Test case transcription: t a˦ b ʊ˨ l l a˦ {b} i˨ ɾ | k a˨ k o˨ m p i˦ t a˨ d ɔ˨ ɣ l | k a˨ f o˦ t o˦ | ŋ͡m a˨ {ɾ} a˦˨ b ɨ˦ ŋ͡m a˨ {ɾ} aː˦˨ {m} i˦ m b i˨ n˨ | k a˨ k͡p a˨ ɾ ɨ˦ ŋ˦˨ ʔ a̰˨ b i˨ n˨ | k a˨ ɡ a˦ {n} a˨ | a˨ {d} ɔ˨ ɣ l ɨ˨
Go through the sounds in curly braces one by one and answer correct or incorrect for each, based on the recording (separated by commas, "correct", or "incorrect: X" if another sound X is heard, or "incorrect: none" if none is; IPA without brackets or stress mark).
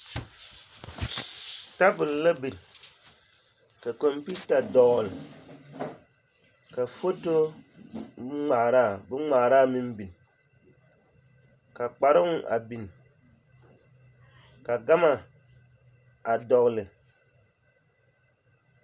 correct, correct, correct, correct, incorrect: m, correct